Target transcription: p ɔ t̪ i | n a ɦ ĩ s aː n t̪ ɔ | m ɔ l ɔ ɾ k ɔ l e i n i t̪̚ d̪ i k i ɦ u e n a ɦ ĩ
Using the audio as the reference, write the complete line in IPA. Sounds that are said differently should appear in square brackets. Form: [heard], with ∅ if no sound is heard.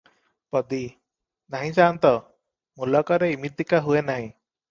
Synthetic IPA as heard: p ɔ [d̪] i | n a ɦ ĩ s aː n t̪ ɔ | m [u] l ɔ [∅] k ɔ [ɾ] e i [m] i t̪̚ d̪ i k [a] ɦ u e n a ɦ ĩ